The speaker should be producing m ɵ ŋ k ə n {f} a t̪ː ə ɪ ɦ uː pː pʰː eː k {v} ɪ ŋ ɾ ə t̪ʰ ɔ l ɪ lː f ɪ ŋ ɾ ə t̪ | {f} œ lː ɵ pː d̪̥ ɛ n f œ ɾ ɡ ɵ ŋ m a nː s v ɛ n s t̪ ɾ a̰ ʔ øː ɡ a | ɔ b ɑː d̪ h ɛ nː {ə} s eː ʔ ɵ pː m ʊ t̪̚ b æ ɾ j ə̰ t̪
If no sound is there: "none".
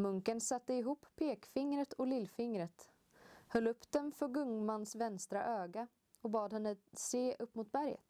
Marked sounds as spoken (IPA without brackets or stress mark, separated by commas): s, f, h, ə